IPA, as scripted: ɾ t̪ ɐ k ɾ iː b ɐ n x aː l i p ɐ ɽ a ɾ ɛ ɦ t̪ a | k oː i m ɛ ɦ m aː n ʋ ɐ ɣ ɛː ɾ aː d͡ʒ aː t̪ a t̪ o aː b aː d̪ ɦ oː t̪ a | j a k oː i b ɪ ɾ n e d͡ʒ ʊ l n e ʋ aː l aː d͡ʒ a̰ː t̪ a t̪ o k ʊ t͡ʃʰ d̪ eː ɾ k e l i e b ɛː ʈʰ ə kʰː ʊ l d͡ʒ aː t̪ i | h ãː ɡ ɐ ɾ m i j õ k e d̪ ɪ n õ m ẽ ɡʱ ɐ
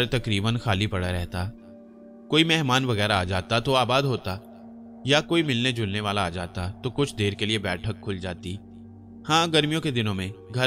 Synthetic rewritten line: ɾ t̪ ɐ k ɾ iː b ə n x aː l i p ɐ ɽ a ɾ ɛ ɦ t̪ a | k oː i m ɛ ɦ m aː n ʋ ɐ ɣ ɛː ɾ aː d͡ʒ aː t̪ a t̪ o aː b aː d̪ ɦ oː t̪ a | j a k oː i m ɪ l n e d͡ʒ ʊ l n e ʋ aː l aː d͡ʒ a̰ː t̪ a t̪ o k ʊ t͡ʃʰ d̪ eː ɾ k e l i e b ɛː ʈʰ ə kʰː ʊ l d͡ʒ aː t̪ i | h ãː ɡ ɐ ɾ m i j õ k e d̪ ɪ n õ m ẽ ɡʱ ɐ